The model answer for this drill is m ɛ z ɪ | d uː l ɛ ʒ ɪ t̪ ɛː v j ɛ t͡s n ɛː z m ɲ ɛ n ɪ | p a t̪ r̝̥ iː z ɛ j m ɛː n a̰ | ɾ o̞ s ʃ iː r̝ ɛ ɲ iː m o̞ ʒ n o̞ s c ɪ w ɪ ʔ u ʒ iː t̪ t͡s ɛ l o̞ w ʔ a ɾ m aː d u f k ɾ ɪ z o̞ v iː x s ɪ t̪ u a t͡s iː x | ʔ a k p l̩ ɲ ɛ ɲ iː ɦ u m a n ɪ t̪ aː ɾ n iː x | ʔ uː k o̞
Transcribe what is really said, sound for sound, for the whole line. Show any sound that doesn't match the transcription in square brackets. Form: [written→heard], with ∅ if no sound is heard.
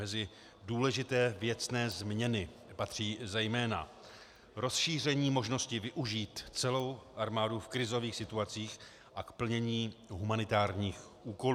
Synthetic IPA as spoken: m ɛ z ɪ | d uː l ɛ ʒ ɪ t̪ ɛː v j ɛ t͡s n ɛː z m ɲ ɛ n ɪ | p a t̪ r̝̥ iː z ɛ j m ɛː n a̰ | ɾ o̞ s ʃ iː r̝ ɛ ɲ iː m o̞ ʒ n o̞ s c ɪ [w→v] ɪ ʔ u ʒ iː t̪ t͡s ɛ l o̞ w ʔ a ɾ m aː d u f k ɾ ɪ z o̞ v iː x s ɪ t̪ u a t͡s iː x | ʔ a k p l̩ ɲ ɛ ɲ iː ɦ u m a n ɪ t̪ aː ɾ [n→ɲ] iː x | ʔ uː k o̞